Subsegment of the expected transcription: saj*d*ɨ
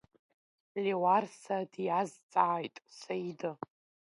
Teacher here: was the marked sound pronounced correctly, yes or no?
yes